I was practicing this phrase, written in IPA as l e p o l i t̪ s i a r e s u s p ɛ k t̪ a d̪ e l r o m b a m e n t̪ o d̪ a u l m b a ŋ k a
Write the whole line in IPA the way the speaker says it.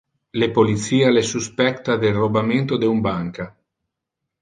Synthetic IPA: l e p o l i t̪ s iː a l e s u s p ɛ k t̪ a d̪ e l r o b a m e n t̪ o d̪ e u m b a ŋ k a